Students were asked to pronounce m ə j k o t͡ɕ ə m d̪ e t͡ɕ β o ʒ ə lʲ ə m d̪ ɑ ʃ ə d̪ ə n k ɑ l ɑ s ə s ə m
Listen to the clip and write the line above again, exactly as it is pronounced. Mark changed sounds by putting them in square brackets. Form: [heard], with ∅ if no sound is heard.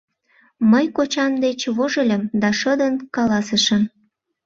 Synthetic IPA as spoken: m ə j k o t͡ɕ [ɑ] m d̪ e t͡ɕ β o ʒ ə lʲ ə m d̪ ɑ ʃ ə d̪ ə n k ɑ l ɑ s ə [ʃ] ə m